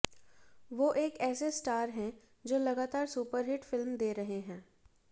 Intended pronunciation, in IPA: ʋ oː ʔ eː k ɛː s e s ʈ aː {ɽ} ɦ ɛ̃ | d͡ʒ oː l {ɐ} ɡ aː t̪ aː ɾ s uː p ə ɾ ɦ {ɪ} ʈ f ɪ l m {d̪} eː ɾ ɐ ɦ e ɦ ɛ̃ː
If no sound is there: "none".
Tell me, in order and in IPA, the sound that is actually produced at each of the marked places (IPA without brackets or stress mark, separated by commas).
ɾ, ɐ, ɪ, d̪